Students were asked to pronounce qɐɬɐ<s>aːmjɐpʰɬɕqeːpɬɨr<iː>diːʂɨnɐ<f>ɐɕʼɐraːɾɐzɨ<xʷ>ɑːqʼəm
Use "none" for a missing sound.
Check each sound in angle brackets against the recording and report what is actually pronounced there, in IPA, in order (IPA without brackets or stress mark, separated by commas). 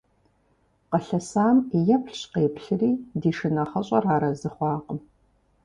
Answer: s, iː, χ, χʷ